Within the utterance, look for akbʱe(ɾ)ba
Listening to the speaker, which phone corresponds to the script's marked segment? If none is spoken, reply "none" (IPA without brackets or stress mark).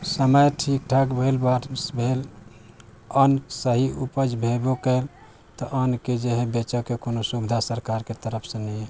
l